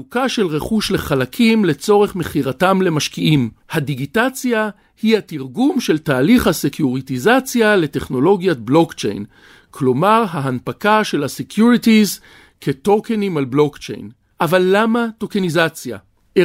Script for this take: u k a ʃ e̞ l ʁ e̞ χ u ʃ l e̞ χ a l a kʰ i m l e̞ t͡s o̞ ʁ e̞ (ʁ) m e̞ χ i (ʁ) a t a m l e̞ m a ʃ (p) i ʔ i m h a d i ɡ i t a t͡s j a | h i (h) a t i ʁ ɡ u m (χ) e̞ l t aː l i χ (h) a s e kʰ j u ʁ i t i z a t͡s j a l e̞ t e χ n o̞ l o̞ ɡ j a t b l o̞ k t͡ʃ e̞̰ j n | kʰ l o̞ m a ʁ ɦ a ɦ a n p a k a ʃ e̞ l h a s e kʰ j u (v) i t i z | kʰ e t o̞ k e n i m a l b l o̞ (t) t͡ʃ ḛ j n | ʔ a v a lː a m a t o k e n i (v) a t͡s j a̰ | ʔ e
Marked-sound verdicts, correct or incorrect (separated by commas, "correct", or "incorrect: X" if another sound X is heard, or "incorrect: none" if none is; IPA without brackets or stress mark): incorrect: χ, correct, incorrect: k, correct, incorrect: ʃ, correct, incorrect: ʁ, incorrect: k, incorrect: z